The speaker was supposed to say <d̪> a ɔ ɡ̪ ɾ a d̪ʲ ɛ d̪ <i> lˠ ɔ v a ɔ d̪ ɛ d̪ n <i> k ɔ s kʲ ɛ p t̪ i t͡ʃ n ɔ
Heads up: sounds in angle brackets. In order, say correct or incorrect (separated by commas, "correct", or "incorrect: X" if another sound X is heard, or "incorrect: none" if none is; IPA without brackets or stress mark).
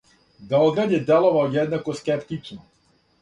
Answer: correct, incorrect: ɛ, incorrect: a